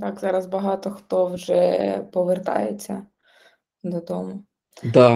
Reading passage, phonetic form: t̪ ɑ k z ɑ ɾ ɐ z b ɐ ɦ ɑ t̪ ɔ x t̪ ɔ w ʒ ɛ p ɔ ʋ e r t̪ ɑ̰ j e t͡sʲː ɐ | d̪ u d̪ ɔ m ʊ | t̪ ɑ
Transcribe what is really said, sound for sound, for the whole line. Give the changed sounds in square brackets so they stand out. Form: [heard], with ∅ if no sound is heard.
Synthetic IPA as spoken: t̪ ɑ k z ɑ ɾ ɐ z b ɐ ɦ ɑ t̪ ɔ x t̪ ɔ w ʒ ɛ p ɔ ʋ e r t̪ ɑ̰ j e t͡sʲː ɐ | d̪ [ɔ] d̪ ɔ m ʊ | [d̪] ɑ